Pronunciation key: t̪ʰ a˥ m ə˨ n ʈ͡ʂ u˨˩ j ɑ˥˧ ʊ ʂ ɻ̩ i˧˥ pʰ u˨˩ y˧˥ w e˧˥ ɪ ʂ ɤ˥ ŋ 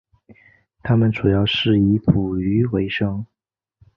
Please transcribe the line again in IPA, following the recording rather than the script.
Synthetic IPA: t̪ʰ a˥ m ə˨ n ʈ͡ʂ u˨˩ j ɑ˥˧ ʊ ʂ ɻ̩ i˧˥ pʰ u˨˩ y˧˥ w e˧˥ ɪ ʂ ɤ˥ ŋ